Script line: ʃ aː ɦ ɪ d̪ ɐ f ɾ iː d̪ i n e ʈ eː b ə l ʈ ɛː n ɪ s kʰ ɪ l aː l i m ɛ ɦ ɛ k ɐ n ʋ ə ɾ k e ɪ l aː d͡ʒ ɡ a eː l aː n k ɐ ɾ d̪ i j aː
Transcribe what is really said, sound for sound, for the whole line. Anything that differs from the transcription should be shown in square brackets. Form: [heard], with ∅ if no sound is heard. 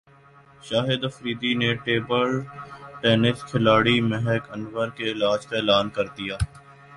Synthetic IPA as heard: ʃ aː ɦ ɪ d̪ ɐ f ɾ iː d̪ i n e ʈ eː b ə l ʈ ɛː n ɪ s kʰ ɪ l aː [ɽ] i m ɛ ɦ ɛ k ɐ n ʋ ə ɾ k e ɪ l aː d͡ʒ [k] a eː l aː n k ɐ ɾ d̪ i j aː